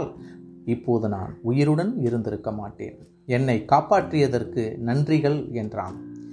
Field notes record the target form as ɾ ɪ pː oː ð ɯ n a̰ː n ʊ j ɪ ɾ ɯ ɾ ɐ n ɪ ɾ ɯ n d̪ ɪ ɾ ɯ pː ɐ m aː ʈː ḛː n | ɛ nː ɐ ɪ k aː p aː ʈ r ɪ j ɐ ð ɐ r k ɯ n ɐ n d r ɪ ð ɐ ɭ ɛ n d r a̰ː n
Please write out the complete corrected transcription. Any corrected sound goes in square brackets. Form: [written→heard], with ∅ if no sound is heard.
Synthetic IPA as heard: [ɾ→l] ɪ pː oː ð ɯ n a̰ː n ʊ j ɪ ɾ ɯ [ɾ→ɽ] ɐ n ɪ ɾ ɯ n d̪ ɪ ɾ ɯ [pː→kː] ɐ m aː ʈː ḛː n | ɛ nː ɐ ɪ k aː p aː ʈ r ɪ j ɐ ð ɐ r k ɯ n ɐ n d r ɪ [ð→ɣ] ɐ ɭ ɛ n d r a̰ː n